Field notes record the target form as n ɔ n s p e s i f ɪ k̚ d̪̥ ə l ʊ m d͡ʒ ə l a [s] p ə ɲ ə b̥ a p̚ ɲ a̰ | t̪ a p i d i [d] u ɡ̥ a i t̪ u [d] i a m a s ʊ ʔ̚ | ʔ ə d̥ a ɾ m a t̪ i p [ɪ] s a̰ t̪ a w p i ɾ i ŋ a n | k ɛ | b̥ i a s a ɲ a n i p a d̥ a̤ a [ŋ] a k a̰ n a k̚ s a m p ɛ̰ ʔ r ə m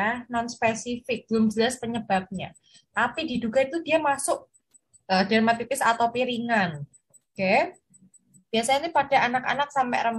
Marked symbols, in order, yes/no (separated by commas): yes, yes, yes, yes, no